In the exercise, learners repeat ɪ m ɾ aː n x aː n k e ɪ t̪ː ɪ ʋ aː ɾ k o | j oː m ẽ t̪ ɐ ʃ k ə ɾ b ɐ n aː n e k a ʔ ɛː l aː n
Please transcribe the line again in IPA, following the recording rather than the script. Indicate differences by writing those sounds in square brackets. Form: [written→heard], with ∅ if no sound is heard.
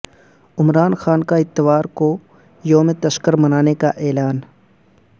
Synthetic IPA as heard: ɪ m ɾ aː n x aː n k [e→a] ɪ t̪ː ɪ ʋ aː ɾ k o | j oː m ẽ t̪ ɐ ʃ k ə ɾ [b→m] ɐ n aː n e k a ʔ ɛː l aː n